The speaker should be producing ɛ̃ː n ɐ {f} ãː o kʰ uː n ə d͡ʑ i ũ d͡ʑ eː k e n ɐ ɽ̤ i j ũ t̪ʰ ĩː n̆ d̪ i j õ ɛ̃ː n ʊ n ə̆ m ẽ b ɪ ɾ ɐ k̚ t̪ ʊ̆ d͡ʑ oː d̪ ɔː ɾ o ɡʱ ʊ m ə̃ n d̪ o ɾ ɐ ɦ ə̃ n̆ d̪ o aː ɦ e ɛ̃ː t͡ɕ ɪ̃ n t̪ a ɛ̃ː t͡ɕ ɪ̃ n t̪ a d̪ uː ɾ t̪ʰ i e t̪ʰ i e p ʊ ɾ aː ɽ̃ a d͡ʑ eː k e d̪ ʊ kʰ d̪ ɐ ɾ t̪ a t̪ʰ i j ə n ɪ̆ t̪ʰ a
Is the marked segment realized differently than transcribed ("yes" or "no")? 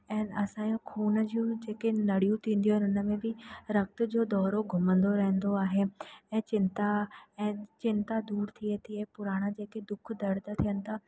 yes